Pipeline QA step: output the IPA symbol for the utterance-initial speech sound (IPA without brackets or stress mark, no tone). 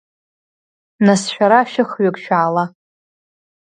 n